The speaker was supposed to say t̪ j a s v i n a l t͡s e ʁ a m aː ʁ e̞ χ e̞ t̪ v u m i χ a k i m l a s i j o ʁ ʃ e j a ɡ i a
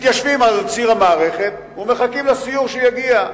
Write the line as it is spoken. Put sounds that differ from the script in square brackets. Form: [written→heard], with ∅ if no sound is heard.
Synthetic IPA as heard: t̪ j a [s→ʃ] v i [n→m] a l t͡s [e→i] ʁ a m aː ʁ e̞ χ e̞ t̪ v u m [i→e] χ a k i m l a s i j [o→u] ʁ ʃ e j a ɡ i a